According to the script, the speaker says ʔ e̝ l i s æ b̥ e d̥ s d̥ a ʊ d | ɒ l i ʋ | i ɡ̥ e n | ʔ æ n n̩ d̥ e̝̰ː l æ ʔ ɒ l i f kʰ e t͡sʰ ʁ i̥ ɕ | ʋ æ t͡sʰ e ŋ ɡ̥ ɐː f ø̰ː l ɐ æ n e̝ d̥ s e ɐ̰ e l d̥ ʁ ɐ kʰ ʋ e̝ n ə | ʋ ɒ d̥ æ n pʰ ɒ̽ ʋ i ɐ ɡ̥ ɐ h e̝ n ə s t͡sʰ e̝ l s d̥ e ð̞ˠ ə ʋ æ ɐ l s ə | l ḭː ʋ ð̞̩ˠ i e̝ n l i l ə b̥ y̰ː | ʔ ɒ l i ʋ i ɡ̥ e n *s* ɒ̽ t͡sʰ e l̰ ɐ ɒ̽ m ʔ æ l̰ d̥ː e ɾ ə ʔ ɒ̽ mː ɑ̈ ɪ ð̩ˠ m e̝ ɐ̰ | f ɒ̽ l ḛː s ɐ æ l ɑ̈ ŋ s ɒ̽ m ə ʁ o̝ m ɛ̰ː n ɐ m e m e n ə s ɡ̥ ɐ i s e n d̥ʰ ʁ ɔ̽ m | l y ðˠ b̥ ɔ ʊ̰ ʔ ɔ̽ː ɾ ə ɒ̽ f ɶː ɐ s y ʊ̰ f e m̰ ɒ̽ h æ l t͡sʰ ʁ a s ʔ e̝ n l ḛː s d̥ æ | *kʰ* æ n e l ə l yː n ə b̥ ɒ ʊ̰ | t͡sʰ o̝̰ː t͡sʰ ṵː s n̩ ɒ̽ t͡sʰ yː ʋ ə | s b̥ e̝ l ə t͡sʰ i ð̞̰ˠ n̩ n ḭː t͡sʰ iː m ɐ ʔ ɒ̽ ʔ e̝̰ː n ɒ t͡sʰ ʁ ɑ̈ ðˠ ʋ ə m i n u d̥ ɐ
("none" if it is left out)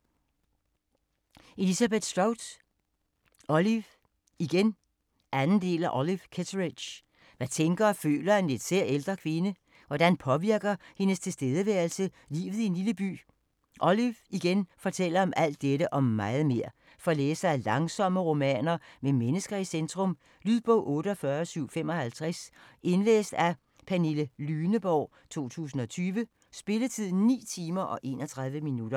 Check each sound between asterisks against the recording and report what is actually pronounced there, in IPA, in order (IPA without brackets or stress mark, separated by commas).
f, pʰ